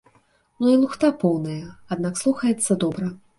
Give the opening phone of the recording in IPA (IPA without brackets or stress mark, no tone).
n